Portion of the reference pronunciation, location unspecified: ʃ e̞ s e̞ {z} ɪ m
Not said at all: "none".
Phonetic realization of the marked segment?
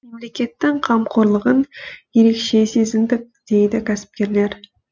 z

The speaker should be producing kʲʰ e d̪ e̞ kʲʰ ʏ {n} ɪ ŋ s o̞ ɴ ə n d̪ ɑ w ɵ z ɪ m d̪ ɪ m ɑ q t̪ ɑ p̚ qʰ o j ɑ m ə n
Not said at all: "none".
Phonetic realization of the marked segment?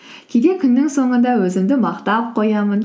nː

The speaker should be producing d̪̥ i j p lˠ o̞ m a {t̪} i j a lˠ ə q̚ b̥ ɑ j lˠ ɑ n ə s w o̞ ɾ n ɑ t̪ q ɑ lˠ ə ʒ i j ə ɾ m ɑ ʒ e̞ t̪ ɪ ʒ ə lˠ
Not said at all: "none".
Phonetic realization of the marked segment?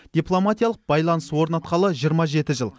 t̪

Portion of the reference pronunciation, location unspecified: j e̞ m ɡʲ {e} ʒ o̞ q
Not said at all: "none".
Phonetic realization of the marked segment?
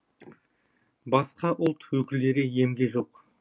e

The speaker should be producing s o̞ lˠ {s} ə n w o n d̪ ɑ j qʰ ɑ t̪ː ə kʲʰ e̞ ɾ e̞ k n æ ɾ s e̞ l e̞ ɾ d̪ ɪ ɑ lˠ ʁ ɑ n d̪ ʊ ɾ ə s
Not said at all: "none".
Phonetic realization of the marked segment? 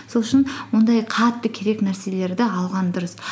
ʃ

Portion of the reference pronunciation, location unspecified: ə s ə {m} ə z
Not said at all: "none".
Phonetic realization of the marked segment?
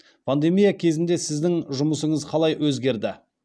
ɴ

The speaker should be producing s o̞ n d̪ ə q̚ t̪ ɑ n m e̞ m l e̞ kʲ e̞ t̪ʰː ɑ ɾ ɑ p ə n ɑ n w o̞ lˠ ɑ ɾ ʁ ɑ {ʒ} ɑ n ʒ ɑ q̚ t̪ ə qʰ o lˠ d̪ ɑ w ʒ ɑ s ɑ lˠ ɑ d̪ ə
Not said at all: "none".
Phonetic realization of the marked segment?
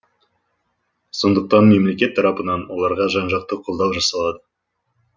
ʒ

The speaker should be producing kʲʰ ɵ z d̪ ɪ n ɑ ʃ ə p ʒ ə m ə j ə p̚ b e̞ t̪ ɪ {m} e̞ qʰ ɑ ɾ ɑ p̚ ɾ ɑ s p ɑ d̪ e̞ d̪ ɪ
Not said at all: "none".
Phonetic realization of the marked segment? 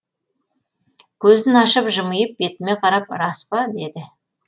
m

